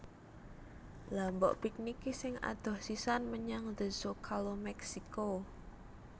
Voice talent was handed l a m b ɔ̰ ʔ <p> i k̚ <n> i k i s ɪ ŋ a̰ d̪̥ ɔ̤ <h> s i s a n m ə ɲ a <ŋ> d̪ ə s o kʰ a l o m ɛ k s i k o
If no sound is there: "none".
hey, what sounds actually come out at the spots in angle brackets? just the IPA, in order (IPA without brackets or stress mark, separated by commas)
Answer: p, n, h, ŋ